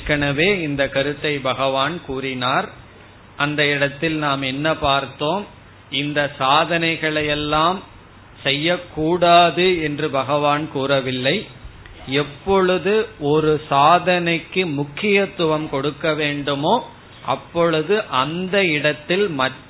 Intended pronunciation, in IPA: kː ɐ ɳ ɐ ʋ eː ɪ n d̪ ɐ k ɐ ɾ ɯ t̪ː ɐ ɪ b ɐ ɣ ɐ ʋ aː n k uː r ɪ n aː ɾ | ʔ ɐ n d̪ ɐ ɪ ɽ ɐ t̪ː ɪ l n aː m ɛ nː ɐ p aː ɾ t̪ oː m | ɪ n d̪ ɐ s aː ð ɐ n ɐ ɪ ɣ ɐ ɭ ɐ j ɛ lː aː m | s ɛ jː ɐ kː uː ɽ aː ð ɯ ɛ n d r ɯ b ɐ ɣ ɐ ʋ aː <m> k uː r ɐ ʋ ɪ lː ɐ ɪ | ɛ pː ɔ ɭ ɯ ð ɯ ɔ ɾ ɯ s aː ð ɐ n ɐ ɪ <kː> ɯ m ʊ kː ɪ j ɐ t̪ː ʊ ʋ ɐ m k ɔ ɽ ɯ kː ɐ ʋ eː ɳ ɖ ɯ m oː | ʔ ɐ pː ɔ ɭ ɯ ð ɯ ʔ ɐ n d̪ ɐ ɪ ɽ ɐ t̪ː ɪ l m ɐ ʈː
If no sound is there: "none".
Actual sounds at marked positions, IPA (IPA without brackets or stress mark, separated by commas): n, kː